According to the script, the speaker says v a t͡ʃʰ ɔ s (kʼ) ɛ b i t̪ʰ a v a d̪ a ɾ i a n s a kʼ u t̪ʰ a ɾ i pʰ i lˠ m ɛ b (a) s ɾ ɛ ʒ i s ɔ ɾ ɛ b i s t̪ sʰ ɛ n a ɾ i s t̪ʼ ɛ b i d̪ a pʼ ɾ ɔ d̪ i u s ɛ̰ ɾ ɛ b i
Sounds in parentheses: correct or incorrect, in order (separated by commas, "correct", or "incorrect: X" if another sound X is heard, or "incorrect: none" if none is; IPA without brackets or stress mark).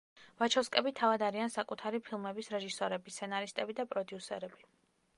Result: correct, incorrect: i